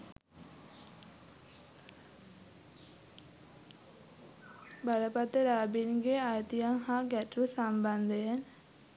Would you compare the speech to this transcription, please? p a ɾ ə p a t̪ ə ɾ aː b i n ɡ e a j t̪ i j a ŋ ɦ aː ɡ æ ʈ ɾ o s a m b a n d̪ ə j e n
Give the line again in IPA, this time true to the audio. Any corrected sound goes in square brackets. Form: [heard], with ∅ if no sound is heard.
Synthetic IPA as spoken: [b] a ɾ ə p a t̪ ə ɾ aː b i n ɡ e a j t̪ i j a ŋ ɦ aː ɡ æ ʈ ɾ [u] s a m b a n d̪ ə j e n